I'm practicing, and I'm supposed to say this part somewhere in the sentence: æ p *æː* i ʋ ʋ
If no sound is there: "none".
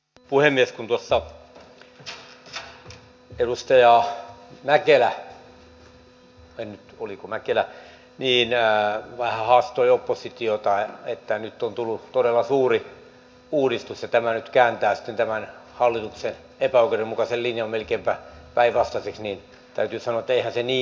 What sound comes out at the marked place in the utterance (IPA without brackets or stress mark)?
æ